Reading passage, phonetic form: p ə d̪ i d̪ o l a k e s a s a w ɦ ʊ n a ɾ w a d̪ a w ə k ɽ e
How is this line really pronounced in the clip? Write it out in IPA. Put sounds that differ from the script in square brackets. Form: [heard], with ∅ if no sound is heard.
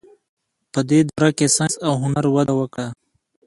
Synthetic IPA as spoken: p ə d̪ [e] d̪ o [ɾ] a k e s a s a w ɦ ʊ n a ɾ w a d̪ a w ə k ɽ [a]